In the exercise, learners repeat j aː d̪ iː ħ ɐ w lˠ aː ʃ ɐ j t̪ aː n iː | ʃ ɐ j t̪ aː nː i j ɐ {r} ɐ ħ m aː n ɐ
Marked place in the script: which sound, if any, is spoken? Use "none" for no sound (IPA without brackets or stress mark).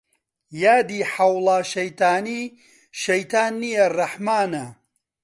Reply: r